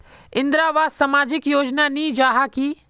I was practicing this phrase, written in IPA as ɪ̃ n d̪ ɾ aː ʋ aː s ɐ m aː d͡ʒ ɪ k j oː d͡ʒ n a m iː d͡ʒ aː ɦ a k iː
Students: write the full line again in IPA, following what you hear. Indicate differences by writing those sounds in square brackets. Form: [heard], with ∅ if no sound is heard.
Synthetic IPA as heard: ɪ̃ n d̪ ɾ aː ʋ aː s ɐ m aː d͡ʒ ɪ k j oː d͡ʒ n a [n] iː d͡ʒ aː ɦ a k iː